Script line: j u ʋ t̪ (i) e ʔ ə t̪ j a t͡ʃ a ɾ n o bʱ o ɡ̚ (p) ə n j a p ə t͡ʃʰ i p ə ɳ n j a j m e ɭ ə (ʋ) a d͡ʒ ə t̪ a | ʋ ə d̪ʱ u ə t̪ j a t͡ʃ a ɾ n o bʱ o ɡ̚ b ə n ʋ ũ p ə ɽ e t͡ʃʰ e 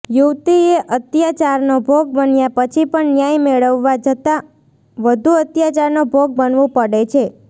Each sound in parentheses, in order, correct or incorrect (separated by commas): correct, incorrect, incorrect